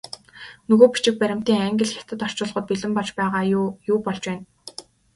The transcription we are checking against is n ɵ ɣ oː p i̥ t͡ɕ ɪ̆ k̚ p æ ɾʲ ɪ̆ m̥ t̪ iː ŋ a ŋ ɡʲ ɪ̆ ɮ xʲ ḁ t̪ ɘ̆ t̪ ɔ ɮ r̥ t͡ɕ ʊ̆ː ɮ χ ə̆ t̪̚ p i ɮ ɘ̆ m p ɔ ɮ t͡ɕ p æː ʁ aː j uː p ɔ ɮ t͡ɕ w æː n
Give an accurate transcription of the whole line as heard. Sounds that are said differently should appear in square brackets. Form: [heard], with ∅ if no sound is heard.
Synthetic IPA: n ɵ ɣ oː p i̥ t͡ɕ ɪ̆ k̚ p æ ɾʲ ɪ̆ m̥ t̪ iː ŋ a ŋ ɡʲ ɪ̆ ɮ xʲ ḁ t̪ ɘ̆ t̪ ɔ [∅] r̥ t͡ɕ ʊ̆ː ɮ [ʁ] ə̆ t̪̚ p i ɮ ɘ̆ m p ɔ ɮ t͡ɕ p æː ʁ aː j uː p ɔ ɮ t͡ɕ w æː n